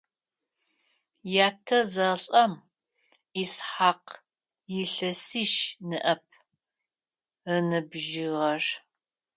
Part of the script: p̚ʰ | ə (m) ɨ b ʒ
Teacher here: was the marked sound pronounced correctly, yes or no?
no